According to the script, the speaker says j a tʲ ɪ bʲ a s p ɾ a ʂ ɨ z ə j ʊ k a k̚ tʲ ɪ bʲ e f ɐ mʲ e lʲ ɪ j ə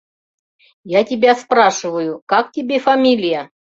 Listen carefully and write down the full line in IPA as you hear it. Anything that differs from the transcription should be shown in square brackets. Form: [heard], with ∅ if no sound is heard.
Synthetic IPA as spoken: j a tʲ ɪ bʲ a s p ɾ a ʂ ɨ [v] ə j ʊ k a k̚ tʲ ɪ bʲ e f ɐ mʲ [i] lʲ ɪ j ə